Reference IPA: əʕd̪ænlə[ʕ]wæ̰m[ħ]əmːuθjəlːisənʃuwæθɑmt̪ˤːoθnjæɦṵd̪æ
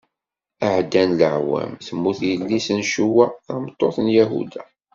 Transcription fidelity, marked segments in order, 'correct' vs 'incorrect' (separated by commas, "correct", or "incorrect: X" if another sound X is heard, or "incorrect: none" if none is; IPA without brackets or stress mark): correct, incorrect: θ